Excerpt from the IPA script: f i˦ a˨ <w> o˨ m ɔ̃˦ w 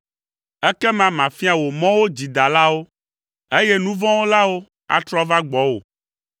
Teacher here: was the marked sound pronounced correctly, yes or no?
yes